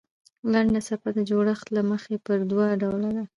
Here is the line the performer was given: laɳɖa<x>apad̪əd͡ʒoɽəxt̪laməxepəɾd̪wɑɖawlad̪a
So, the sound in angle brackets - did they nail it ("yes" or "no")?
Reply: no